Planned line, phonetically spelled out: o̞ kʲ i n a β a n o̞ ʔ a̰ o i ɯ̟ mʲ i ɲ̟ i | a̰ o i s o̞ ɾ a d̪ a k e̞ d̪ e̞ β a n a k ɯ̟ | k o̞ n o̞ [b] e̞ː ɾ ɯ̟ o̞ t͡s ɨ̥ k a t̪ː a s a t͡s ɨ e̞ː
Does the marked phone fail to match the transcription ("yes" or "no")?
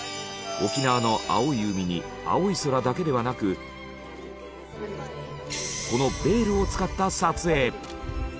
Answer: no